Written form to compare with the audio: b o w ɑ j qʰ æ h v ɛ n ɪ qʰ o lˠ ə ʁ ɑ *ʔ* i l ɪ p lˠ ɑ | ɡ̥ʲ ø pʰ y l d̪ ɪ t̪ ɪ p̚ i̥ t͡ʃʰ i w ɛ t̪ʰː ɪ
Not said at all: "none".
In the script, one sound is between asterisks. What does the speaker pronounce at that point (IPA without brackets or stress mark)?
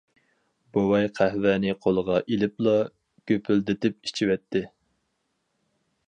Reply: ʔ